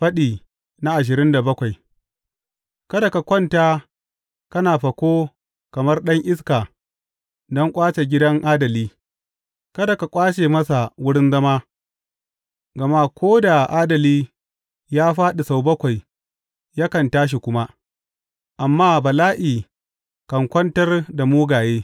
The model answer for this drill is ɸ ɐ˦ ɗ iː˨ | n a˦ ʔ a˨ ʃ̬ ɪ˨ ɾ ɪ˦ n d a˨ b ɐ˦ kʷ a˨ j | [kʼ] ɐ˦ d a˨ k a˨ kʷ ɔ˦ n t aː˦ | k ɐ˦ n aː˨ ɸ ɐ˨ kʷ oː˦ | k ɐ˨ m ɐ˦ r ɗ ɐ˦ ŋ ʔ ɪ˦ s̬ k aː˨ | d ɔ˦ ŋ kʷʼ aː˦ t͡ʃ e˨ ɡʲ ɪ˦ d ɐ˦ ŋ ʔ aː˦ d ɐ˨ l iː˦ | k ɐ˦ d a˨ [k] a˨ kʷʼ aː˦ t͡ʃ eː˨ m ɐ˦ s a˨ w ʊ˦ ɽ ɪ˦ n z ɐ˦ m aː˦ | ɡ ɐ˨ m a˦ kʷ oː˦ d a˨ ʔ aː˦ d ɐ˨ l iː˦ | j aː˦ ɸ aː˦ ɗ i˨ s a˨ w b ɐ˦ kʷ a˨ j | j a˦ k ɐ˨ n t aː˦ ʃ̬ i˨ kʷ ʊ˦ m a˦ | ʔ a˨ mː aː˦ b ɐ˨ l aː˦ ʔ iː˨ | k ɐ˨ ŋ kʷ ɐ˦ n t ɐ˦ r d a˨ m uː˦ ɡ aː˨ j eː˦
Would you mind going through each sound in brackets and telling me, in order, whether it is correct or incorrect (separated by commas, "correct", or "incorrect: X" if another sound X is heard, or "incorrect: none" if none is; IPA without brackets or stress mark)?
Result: incorrect: k, correct